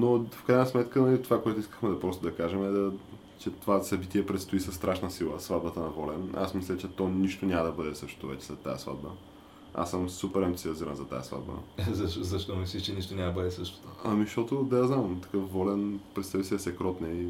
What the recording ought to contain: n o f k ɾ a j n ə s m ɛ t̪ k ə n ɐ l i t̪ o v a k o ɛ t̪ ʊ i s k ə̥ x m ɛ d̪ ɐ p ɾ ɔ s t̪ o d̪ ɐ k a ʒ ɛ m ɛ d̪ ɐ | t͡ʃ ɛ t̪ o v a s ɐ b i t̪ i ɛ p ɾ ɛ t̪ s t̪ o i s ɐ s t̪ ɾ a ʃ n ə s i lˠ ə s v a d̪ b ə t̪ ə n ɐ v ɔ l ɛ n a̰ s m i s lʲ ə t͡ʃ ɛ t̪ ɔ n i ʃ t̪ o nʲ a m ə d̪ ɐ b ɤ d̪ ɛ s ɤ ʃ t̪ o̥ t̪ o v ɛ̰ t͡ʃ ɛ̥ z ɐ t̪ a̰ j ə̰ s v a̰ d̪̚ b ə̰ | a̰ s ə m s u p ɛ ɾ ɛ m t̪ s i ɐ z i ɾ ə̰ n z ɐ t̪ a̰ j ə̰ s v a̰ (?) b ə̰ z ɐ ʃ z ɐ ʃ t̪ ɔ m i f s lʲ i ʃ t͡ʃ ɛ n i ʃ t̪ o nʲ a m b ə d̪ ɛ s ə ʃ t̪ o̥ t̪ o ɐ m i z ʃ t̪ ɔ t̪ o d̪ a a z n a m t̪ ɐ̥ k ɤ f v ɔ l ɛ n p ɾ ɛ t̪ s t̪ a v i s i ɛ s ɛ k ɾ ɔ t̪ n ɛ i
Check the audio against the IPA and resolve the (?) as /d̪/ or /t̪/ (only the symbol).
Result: d̪